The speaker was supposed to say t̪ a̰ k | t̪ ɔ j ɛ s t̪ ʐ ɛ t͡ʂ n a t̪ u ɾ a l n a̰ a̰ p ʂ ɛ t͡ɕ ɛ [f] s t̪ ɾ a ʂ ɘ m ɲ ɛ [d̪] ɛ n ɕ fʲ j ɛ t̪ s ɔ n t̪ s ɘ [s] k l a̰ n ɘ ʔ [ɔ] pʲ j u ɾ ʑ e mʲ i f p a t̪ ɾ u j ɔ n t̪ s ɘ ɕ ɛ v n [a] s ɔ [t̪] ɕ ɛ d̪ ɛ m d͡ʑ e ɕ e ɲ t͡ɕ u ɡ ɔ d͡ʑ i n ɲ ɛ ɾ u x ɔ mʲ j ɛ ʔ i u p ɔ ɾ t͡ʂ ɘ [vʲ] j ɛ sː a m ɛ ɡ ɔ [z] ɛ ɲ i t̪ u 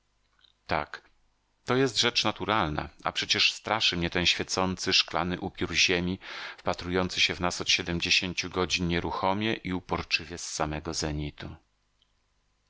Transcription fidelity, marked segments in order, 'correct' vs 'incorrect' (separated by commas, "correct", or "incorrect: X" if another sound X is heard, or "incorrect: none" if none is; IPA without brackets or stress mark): incorrect: ʂ, incorrect: t̪, incorrect: ʂ, incorrect: u, correct, correct, correct, correct